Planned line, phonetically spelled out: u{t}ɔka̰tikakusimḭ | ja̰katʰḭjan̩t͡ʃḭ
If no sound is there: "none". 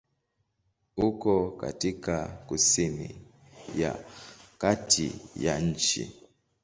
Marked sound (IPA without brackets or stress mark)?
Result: k